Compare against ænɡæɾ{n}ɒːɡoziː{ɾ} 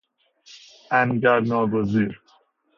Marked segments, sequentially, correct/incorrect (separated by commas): correct, correct